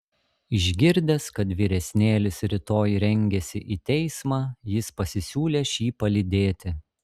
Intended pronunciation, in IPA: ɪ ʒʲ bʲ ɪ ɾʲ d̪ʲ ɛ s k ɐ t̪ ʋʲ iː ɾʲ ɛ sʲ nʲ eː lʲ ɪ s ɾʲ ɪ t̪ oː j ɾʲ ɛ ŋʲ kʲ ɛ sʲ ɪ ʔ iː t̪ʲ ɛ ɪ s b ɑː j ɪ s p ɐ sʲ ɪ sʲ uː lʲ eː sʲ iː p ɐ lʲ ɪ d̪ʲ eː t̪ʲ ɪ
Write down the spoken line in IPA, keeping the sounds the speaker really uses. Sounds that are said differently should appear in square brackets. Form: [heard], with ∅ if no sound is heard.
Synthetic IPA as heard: ɪ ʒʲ [ɡʲ] ɪ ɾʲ d̪ʲ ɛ s k ɐ t̪ ʋʲ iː ɾʲ ɛ sʲ nʲ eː lʲ ɪ s ɾʲ ɪ t̪ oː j ɾʲ ɛ ŋʲ [ɡʲ] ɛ sʲ ɪ ʔ iː t̪ʲ ɛ ɪ s [m] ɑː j ɪ s p ɐ sʲ ɪ sʲ uː lʲ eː [ʃʲ] iː p ɐ lʲ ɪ d̪ʲ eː t̪ʲ ɪ